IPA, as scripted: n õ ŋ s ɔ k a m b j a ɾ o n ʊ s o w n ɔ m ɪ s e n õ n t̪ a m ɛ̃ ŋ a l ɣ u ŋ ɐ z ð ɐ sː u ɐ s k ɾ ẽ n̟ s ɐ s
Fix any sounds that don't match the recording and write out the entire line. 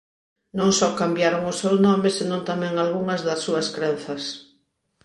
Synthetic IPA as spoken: n õ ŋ s ɔ k a m b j a ɾ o ŋ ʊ s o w n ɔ m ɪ s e n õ n t̪ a m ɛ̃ ŋ a l ɣ u ŋ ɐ z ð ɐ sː u ɐ s k ɾ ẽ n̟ θ ɐ s